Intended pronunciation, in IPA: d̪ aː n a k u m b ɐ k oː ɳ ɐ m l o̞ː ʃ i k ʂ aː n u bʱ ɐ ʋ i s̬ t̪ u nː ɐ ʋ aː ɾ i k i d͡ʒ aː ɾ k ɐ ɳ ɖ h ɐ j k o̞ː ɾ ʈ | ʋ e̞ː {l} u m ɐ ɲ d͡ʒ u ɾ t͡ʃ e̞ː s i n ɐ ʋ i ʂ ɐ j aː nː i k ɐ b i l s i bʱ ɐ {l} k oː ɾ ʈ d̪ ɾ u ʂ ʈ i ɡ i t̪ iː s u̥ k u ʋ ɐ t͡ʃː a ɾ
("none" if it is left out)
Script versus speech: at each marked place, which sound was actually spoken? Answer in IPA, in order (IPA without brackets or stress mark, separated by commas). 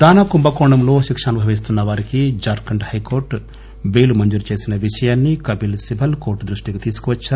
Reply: l, l